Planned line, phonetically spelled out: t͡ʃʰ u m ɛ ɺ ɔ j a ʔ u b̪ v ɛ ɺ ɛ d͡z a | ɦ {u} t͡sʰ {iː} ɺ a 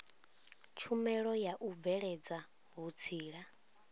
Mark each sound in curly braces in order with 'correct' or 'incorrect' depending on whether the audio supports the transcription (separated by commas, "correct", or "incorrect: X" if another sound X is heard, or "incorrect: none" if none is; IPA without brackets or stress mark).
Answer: correct, correct